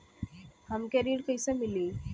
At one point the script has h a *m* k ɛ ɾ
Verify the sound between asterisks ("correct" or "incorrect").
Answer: correct